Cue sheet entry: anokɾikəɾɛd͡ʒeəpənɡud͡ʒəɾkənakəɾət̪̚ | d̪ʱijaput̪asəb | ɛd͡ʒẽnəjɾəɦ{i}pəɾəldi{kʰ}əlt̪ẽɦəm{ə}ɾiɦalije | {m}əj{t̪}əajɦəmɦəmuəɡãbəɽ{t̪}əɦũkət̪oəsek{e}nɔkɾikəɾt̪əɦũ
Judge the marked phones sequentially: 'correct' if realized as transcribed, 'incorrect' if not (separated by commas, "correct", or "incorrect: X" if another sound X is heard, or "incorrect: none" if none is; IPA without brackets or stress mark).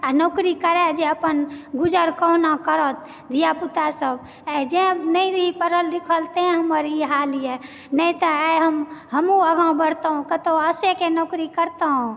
correct, correct, correct, incorrect: n, correct, correct, correct